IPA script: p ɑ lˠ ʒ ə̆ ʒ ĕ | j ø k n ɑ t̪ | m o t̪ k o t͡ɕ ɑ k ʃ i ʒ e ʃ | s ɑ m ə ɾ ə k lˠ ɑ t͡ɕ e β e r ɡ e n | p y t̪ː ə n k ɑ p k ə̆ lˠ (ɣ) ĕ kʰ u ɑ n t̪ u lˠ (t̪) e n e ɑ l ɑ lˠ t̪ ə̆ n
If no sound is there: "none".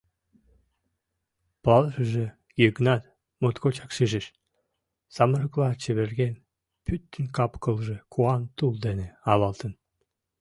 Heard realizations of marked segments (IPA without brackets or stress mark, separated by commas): ʒ, d̪